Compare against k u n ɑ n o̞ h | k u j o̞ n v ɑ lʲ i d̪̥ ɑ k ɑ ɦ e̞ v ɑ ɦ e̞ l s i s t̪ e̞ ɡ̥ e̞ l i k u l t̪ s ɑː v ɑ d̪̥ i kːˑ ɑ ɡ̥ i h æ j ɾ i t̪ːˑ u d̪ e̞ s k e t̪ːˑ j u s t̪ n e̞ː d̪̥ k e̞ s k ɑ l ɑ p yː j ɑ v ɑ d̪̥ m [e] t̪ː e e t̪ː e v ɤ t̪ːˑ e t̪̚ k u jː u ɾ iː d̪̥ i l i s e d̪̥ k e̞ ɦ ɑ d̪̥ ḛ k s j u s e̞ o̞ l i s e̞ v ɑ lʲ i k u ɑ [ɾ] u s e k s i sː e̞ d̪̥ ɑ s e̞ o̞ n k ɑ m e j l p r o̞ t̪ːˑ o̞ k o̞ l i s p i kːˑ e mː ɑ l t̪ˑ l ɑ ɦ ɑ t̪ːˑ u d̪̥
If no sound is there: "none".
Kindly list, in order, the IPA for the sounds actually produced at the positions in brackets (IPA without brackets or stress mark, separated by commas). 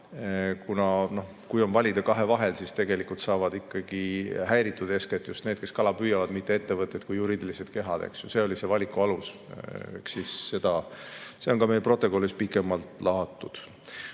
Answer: i, l